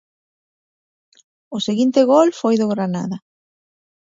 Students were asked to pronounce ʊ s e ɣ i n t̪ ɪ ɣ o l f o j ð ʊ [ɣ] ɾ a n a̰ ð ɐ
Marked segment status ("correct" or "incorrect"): correct